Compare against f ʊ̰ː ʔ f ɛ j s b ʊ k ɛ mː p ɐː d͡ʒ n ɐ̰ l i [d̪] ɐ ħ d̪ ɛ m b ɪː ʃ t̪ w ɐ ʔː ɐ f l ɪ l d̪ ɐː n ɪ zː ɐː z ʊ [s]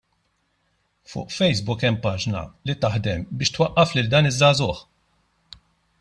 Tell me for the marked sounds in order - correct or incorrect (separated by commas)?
incorrect, incorrect